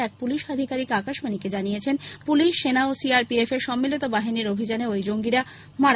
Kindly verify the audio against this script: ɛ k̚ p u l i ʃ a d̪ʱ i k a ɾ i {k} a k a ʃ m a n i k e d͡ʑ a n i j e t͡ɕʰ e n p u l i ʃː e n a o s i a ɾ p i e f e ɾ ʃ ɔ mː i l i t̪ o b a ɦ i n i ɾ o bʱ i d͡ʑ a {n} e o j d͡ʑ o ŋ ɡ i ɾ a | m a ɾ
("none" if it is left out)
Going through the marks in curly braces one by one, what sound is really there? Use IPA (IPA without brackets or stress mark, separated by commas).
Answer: k, n